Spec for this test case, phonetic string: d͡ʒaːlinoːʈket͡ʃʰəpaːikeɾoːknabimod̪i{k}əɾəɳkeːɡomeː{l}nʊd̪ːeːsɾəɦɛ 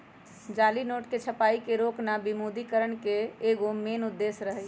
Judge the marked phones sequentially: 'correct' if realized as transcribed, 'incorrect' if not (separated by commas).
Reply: correct, incorrect